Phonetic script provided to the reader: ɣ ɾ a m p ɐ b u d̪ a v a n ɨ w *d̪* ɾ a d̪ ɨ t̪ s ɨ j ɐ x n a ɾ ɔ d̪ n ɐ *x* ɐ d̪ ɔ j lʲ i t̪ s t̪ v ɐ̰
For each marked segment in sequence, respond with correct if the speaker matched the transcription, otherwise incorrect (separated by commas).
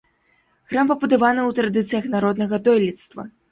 incorrect, incorrect